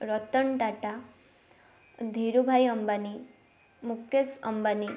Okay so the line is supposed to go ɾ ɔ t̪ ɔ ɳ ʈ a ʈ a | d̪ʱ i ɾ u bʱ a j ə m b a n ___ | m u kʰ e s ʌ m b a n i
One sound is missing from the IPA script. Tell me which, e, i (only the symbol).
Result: i